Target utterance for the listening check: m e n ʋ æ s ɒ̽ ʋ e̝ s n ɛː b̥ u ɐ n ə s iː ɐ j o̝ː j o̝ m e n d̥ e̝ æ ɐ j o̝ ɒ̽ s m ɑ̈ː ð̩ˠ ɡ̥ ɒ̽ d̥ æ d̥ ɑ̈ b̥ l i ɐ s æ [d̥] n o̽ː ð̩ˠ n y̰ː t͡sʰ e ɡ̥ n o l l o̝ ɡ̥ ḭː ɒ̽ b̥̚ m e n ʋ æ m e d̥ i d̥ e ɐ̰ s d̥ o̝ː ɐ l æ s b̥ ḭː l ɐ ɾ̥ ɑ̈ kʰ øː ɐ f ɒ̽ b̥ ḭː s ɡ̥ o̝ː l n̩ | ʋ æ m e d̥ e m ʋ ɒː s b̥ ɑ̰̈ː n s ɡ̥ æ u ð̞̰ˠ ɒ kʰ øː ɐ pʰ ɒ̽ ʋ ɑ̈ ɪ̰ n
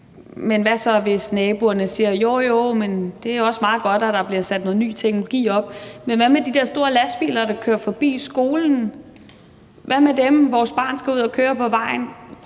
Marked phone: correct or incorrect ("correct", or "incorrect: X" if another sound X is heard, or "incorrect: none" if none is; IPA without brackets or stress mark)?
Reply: correct